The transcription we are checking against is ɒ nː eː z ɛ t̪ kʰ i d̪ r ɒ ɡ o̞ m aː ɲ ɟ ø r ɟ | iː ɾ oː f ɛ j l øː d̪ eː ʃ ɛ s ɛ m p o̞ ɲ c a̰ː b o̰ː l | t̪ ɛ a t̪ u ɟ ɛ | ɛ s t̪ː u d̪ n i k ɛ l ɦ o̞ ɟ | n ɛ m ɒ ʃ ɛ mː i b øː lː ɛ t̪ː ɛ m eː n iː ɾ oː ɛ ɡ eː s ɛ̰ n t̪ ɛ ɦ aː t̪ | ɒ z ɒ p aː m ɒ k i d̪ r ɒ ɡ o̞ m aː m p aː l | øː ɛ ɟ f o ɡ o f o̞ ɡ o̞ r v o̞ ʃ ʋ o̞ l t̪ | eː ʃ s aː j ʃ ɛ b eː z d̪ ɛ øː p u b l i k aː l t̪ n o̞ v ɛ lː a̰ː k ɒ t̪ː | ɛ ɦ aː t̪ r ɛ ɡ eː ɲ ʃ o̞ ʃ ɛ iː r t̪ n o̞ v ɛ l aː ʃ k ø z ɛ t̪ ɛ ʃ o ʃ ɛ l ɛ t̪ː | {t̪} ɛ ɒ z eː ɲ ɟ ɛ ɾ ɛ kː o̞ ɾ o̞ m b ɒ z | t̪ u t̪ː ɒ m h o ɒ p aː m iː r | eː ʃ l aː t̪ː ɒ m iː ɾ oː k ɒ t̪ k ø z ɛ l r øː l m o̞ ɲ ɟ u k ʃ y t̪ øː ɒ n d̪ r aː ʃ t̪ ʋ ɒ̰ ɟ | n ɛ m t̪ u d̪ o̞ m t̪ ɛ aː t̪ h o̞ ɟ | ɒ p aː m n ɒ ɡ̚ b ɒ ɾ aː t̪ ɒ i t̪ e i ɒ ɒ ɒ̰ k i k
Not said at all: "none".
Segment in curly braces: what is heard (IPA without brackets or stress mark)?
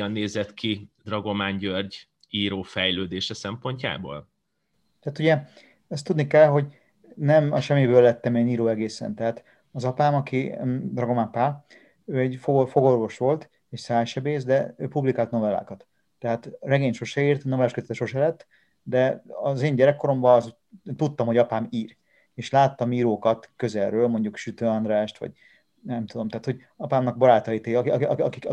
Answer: d̪